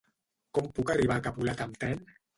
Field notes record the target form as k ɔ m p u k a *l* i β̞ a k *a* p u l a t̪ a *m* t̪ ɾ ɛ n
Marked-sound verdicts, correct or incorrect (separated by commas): incorrect, correct, correct